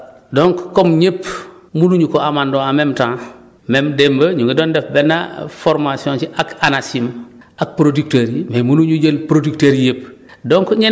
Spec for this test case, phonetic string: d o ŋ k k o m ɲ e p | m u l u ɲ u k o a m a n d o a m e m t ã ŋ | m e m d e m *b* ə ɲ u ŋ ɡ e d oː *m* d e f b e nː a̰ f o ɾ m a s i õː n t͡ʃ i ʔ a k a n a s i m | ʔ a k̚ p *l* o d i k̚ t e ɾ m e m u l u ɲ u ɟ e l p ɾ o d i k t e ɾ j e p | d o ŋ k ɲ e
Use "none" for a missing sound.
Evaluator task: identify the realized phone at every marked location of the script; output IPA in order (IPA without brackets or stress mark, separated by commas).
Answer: b, n, ɾ